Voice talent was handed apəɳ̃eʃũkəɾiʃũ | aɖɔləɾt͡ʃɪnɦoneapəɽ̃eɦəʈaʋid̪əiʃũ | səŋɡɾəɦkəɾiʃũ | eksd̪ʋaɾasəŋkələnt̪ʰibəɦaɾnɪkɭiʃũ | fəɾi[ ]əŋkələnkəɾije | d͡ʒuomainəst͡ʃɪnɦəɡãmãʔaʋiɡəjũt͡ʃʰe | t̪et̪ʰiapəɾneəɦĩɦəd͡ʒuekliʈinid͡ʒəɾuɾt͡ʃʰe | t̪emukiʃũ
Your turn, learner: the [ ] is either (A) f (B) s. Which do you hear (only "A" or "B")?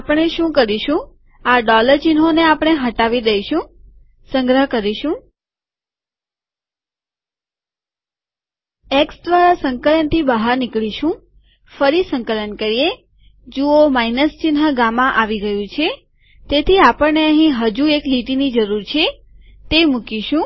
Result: B